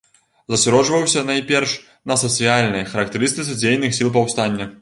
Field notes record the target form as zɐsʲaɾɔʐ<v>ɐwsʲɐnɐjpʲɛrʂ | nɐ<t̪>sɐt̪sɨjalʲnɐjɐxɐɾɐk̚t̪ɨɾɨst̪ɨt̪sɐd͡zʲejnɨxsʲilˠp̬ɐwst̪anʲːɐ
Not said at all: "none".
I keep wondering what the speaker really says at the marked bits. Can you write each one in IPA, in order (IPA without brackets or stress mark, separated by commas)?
v, none